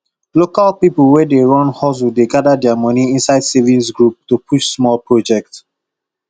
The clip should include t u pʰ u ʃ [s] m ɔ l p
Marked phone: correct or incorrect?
correct